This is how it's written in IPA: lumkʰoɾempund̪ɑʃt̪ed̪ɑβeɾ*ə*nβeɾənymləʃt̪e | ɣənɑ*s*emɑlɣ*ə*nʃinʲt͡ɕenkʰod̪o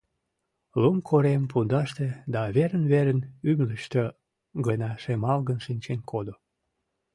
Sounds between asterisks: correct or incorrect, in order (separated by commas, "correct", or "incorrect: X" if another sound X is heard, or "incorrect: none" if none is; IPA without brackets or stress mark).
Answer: correct, incorrect: ʃ, correct